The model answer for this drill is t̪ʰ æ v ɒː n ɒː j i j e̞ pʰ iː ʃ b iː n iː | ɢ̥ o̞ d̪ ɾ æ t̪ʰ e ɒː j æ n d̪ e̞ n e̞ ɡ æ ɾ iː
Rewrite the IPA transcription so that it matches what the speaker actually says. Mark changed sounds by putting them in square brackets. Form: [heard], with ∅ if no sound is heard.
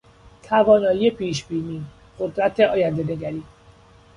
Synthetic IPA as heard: t̪ʰ æ v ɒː n ɒː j i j e̞ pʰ iː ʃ b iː n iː | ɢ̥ o̞ d̪ ɾ æ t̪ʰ e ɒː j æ n d̪ e̞ n e̞ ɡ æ ɾ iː